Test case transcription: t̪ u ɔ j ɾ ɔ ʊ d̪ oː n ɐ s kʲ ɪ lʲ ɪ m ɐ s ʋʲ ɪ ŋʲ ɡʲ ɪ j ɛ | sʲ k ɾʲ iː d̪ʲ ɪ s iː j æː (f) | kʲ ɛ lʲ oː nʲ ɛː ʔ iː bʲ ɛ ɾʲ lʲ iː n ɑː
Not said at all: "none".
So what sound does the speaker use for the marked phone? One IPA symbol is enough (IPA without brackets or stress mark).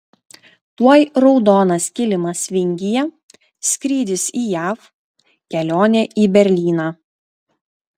f